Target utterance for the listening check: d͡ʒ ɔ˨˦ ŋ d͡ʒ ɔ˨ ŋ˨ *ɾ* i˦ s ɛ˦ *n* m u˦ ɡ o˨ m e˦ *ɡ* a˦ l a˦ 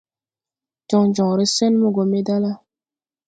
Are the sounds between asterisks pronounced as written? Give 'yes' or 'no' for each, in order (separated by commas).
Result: yes, yes, no